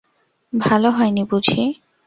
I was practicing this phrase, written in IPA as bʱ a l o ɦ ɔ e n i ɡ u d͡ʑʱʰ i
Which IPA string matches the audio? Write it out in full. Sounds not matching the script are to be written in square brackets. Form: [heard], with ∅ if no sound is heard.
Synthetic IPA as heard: bʱ a l o ɦ ɔ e n i [b] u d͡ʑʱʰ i